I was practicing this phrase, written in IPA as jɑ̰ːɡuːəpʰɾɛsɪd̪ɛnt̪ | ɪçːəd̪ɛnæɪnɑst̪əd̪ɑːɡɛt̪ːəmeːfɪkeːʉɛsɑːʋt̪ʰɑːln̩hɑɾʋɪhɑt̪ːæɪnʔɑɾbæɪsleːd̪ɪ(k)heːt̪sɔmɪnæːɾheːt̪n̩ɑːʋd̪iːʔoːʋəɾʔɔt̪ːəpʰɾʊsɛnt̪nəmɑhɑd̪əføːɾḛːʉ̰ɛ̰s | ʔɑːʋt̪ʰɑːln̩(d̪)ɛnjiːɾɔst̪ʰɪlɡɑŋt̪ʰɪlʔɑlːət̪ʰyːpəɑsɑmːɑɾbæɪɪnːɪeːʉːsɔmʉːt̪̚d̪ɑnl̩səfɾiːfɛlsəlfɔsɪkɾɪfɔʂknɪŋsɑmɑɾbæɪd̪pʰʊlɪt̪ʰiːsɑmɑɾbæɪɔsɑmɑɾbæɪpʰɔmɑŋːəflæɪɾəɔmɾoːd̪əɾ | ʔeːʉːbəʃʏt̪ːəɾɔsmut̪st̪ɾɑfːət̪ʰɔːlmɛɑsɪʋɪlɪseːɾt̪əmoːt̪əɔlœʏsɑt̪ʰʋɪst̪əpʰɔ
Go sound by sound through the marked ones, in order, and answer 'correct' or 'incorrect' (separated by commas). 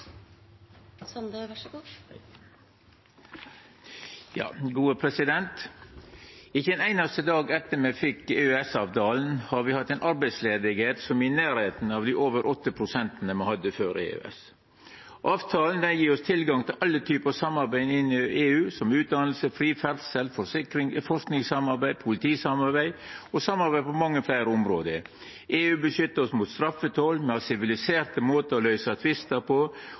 incorrect, correct